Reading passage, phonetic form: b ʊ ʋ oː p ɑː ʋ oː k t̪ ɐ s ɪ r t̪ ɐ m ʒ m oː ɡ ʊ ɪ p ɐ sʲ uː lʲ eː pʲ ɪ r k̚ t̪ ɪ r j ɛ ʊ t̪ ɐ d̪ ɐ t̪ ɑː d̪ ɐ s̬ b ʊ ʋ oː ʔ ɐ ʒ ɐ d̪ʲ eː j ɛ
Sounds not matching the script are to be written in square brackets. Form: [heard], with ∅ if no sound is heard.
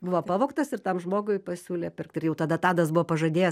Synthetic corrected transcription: b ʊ ʋ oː p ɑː ʋ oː k t̪ ɐ s ɪ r t̪ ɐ m ʒ m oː ɡ ʊ ɪ p ɐ sʲ uː lʲ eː pʲ ɪ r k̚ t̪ ɪ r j ɛ ʊ t̪ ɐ d̪ ɐ t̪ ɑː d̪ ɐ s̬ b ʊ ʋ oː [p] ɐ ʒ ɐ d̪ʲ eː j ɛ